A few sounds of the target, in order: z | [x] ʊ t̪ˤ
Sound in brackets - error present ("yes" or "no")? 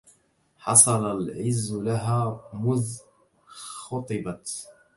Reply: no